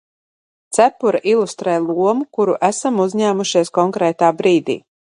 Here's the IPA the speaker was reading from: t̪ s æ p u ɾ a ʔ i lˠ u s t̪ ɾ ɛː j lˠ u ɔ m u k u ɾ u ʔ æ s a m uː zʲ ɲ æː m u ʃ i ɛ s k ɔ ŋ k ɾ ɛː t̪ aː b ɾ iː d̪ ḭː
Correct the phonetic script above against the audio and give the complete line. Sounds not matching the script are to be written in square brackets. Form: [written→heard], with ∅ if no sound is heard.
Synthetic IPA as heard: t̪ s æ p u ɾ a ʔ i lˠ u s t̪ ɾ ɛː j lˠ u ɔ m u k u ɾ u ʔ æ s a m [uː→u] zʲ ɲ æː m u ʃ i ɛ s k ɔ ŋ k ɾ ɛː t̪ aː b ɾ iː d̪ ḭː